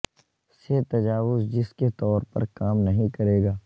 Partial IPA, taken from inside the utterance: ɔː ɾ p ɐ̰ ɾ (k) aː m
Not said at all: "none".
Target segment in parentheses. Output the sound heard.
k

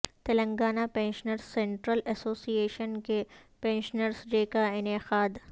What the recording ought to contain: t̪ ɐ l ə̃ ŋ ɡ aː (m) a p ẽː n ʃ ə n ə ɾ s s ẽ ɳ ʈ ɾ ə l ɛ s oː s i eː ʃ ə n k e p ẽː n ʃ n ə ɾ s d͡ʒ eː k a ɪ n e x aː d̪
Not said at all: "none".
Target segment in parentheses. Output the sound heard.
n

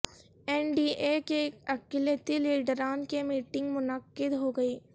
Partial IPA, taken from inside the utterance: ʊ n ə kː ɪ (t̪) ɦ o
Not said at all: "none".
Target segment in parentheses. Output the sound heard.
d̪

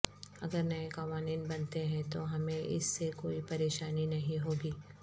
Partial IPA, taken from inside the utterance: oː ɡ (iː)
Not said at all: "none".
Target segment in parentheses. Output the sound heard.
iː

